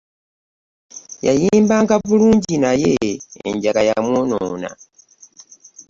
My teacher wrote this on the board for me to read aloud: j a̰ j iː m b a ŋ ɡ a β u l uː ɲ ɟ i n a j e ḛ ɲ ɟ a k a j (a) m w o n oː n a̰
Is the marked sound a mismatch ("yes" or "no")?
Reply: no